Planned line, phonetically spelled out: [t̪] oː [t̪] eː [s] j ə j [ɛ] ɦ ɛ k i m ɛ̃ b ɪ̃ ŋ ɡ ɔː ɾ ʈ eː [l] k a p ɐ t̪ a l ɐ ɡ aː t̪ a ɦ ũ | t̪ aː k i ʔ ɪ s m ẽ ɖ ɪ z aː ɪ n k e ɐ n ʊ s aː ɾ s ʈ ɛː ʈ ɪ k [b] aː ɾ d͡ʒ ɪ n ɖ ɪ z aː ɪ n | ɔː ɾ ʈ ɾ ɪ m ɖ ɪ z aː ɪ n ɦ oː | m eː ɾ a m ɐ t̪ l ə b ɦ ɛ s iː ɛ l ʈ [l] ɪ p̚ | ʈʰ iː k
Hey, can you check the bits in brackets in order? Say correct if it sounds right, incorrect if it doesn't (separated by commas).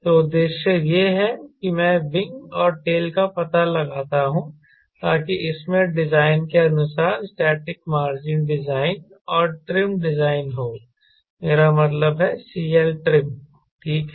correct, incorrect, incorrect, incorrect, correct, incorrect, incorrect